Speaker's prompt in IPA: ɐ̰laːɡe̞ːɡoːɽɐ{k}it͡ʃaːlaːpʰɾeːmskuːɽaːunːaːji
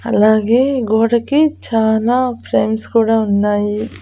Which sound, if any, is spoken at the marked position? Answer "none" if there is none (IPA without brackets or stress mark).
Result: k